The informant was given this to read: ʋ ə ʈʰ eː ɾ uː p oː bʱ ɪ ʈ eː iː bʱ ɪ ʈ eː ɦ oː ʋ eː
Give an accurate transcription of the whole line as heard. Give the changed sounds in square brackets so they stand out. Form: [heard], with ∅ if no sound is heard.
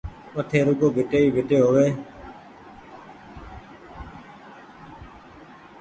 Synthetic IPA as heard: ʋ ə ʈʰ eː ɾ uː [k] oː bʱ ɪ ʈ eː iː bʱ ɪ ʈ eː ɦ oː ʋ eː

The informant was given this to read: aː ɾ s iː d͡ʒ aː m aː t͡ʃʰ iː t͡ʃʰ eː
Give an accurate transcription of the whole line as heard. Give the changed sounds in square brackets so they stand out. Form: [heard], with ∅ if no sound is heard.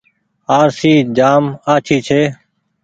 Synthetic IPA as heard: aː ɾ s iː d͡ʒ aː m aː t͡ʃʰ iː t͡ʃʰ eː

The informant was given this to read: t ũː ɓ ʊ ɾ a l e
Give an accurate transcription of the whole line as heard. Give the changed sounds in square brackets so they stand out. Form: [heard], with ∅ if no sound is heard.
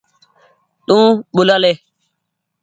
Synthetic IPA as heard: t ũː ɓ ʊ [l] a l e

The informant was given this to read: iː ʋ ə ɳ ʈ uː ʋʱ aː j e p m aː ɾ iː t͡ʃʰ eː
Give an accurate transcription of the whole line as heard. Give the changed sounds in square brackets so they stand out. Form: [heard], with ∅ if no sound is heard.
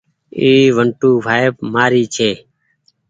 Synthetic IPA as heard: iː ʋ ə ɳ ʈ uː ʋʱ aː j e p m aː ɾ iː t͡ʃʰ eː

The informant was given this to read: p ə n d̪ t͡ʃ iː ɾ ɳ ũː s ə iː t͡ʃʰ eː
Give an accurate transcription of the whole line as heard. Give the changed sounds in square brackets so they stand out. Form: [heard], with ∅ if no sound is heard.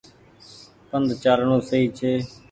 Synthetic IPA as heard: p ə n d̪ t͡ʃ [aː] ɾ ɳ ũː s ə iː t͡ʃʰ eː

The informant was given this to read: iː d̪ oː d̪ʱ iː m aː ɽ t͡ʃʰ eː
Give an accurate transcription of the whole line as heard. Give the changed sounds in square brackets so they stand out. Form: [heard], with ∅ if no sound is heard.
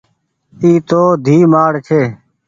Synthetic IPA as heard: iː [t̪] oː d̪ʱ iː m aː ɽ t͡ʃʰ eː

